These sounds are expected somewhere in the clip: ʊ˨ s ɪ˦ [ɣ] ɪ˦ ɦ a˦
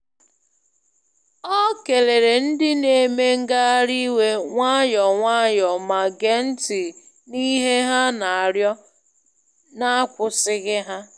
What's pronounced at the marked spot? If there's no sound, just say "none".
ɣ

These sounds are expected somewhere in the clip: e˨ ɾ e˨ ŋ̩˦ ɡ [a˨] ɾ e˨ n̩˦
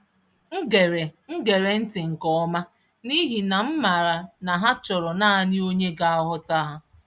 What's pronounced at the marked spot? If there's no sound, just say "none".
e˨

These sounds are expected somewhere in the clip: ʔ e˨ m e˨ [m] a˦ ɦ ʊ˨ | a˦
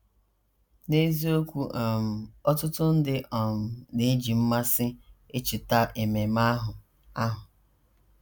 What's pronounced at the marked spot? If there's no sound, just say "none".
m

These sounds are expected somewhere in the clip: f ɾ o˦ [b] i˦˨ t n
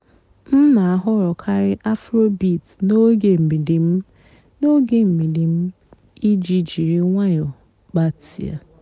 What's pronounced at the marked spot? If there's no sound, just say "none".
b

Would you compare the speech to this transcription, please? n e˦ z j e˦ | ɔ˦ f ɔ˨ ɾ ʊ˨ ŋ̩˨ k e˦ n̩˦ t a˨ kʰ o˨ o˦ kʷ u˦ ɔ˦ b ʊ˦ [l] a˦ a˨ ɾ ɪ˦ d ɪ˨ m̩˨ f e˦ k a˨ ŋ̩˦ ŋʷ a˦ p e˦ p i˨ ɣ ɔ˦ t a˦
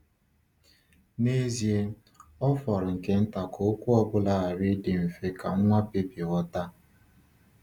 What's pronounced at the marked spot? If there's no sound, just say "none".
l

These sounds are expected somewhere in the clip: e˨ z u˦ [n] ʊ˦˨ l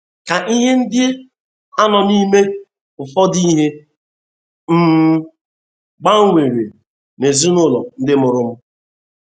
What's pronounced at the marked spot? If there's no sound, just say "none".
n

